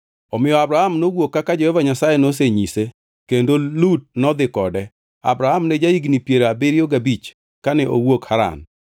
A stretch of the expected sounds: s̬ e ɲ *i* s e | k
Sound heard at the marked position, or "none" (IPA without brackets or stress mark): i